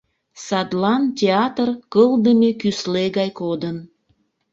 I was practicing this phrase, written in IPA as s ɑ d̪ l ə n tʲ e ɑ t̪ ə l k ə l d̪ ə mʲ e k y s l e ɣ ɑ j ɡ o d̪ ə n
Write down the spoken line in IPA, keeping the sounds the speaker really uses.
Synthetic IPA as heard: s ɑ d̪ l ɑ n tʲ e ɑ t̪ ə r k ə l d̪ ə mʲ e k y s l e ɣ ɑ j k o d̪ ə n